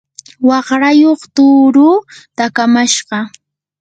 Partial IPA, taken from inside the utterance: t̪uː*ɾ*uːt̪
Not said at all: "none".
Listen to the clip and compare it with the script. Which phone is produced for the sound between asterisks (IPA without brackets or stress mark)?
ɾ